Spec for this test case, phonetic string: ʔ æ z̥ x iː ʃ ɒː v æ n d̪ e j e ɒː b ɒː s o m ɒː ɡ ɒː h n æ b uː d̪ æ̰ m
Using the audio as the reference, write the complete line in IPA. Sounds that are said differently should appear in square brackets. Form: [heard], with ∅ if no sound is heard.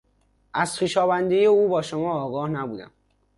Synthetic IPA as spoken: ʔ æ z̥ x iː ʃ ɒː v æ n d̪ e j e [uː] b ɒː [ʃ] o m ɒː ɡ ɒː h n æ b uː d̪ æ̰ m

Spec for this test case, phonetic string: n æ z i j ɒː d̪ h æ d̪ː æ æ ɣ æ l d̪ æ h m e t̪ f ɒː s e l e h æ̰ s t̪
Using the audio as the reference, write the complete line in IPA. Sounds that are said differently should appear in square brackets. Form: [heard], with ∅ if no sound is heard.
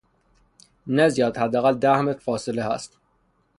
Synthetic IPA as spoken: n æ z i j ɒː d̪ h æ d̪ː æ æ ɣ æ l d̪ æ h m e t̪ f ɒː s e l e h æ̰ s t̪

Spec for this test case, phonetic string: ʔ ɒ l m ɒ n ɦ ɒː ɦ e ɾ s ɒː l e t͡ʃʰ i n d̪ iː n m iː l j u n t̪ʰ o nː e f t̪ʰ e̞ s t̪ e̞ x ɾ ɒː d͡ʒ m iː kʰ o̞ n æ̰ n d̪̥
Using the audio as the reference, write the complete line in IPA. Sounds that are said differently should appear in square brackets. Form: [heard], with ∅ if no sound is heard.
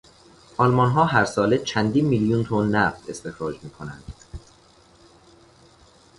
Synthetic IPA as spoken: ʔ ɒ l m ɒ n ɦ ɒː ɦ [æ] ɾ s ɒː l e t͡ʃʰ [æ] n d̪ iː n m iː l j u n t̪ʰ o nː [æ] f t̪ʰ e̞ s t̪ e̞ x ɾ ɒː d͡ʒ m iː kʰ o̞ n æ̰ n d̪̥

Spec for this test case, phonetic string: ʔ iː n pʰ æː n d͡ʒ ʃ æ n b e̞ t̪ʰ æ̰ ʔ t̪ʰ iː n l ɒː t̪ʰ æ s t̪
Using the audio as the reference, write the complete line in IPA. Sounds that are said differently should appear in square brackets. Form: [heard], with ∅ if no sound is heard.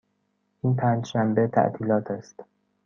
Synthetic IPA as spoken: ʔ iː n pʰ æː n d͡ʒ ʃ æ [m] b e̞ t̪ʰ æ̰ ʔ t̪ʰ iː [∅] l ɒː t̪ʰ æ s t̪

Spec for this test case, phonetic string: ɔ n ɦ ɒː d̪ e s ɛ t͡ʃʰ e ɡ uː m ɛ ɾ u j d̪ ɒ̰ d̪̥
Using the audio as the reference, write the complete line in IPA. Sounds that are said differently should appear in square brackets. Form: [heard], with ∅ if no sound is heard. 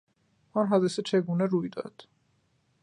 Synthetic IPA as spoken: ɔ n ɦ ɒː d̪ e s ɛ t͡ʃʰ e ɡ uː [n] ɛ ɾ u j d̪ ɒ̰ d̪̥

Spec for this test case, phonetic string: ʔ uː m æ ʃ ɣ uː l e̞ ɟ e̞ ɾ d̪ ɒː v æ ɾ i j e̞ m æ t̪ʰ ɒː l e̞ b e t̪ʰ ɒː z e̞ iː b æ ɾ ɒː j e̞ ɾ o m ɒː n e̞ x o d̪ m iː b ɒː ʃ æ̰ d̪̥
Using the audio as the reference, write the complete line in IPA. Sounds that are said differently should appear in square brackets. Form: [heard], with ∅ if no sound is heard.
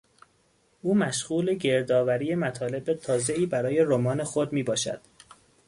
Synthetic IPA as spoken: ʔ uː m æ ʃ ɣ uː l e̞ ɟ e̞ ɾ d̪ ɒː v æ ɾ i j e̞ m æ t̪ʰ ɒː l e̞ b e t̪ʰ ɒː z e̞ iː b æ ɾ ɒː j e̞ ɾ o m ɒː n e̞ x o d̪ m iː b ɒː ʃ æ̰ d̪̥

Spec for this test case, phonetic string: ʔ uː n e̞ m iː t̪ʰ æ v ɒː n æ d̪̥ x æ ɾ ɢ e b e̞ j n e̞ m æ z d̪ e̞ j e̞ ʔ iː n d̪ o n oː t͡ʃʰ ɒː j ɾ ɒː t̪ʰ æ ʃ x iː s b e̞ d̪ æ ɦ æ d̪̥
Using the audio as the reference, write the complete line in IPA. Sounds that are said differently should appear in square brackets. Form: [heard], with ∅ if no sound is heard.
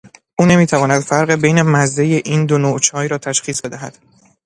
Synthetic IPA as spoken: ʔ uː n e̞ m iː t̪ʰ æ v ɒː n æ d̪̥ [f] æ ɾ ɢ e b e̞ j n e̞ m æ z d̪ e̞ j e̞ ʔ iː n d̪ o n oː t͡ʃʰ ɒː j ɾ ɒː t̪ʰ æ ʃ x iː s b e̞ d̪ æ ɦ æ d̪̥

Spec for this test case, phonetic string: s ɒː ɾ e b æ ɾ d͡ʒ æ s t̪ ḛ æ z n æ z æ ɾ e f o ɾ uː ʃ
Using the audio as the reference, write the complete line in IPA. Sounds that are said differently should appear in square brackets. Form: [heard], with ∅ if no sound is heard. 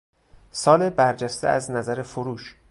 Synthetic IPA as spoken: s ɒː [l] e b æ ɾ d͡ʒ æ s t̪ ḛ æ z n æ z æ ɾ e f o ɾ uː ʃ

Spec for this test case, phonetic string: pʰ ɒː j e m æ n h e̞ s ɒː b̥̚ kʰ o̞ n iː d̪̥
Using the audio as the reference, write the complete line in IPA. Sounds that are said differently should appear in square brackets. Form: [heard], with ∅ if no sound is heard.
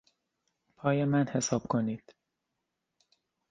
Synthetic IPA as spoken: pʰ ɒː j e m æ n h e̞ s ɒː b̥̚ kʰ o̞ n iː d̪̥

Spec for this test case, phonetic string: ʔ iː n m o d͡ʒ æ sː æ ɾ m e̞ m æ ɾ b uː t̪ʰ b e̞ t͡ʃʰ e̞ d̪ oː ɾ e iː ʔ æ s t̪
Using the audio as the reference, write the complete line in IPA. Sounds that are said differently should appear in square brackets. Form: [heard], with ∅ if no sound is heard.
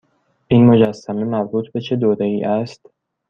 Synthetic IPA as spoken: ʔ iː n m o d͡ʒ æ sː æ [∅] m e̞ m æ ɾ b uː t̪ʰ b e̞ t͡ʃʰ e̞ d̪ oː ɾ e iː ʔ æ s t̪

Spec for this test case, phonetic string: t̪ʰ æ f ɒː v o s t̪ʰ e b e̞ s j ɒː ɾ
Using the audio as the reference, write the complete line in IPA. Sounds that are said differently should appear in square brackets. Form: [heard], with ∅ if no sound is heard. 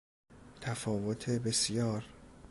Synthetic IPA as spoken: t̪ʰ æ f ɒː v o [∅] t̪ʰ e b e̞ s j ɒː ɾ

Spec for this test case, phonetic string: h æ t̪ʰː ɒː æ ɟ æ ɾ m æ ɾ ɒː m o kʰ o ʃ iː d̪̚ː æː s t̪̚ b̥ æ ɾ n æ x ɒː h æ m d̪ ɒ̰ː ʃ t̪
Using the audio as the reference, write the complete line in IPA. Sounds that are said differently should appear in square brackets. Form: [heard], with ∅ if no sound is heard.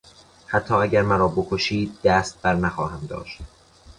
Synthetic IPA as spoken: h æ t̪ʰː ɒː æ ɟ æ ɾ m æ ɾ ɒː [b] o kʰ o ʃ iː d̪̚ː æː s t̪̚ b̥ æ ɾ n æ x ɒː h æ m d̪ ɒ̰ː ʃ t̪

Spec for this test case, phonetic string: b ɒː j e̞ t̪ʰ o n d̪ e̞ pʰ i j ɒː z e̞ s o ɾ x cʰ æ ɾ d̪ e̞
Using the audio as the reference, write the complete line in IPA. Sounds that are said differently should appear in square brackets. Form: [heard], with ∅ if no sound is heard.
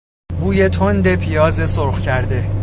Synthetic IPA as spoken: b [uː] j e̞ t̪ʰ o n d̪ e̞ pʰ i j ɒː z e̞ s o ɾ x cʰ æ ɾ d̪ e̞

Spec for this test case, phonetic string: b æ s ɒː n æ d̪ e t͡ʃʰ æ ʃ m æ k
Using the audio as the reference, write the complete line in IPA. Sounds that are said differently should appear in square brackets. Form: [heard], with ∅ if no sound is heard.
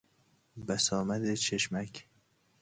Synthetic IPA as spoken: b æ s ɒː [m] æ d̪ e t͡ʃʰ [e] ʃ m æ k

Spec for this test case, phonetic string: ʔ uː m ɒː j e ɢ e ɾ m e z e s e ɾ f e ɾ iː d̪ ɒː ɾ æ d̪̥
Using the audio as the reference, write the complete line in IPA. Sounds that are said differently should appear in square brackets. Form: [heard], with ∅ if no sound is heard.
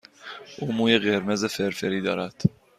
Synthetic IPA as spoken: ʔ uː m [uː] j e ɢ e ɾ m e z e [f] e ɾ f e ɾ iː d̪ ɒː ɾ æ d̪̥

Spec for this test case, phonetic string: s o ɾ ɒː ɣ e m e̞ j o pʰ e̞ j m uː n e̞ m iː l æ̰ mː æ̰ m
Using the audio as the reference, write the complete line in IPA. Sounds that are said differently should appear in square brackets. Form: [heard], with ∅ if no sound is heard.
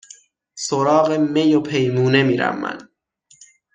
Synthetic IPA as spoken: s o ɾ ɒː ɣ e m e̞ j o pʰ e̞ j m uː n e̞ m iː [ɾ] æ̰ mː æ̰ [n]

